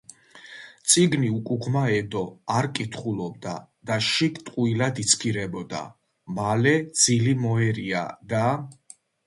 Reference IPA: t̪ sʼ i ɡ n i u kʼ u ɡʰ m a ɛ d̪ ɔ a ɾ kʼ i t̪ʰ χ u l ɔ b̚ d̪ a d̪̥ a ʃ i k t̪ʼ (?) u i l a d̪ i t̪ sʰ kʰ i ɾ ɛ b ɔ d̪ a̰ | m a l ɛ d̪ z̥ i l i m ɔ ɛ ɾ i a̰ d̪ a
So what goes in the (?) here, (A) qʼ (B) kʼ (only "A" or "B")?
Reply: A